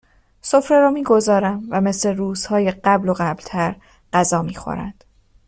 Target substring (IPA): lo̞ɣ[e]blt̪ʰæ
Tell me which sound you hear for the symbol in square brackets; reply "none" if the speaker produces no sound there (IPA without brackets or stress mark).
æ